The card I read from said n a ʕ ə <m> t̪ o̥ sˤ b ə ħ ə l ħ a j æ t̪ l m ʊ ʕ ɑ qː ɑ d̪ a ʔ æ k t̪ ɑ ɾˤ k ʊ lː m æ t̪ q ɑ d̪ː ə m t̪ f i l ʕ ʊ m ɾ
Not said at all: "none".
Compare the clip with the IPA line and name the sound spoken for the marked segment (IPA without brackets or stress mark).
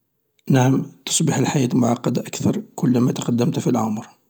m